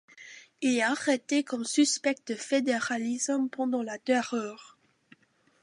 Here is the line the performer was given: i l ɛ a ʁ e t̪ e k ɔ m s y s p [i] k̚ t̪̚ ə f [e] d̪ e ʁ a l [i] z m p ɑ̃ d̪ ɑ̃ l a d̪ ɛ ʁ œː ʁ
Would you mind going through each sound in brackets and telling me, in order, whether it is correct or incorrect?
incorrect: ɛ, correct, correct

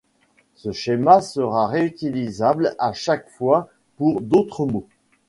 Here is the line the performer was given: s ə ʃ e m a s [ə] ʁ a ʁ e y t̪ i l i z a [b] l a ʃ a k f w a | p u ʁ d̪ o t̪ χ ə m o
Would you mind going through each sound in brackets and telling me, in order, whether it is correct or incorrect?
correct, correct

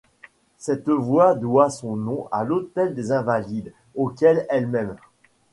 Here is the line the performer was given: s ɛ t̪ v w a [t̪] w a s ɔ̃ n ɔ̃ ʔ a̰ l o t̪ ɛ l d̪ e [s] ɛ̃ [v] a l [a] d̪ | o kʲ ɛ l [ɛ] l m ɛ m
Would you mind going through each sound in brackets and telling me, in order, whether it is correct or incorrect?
incorrect: d̪, incorrect: z, correct, incorrect: i, correct

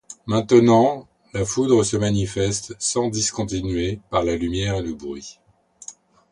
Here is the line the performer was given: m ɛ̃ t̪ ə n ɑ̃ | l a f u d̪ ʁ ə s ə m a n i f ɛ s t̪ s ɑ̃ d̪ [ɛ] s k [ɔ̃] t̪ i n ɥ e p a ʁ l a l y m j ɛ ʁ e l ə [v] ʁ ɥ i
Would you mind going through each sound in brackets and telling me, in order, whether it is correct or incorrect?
incorrect: i, correct, incorrect: b

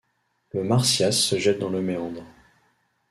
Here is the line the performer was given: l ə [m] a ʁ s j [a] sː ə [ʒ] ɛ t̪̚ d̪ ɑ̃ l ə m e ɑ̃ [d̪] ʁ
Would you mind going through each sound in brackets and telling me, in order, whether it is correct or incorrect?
correct, correct, correct, correct

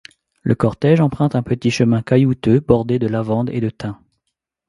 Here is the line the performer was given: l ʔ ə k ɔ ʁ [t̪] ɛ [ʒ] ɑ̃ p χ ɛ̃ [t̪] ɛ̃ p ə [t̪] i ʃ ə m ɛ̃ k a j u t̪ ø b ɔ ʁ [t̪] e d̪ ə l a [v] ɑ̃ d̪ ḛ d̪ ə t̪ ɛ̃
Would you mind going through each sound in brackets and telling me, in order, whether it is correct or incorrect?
correct, correct, correct, correct, incorrect: d̪, correct

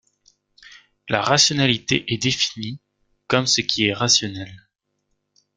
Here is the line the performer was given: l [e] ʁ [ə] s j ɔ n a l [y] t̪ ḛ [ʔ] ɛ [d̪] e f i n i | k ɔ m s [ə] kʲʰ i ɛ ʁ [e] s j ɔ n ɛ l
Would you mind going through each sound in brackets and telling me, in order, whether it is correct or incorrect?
incorrect: a, incorrect: a, incorrect: i, correct, correct, correct, incorrect: a

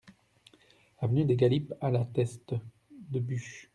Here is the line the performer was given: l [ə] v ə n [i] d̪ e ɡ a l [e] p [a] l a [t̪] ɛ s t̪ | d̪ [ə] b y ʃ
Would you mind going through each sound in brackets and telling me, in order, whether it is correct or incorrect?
incorrect: a, incorrect: y, incorrect: i, correct, correct, correct

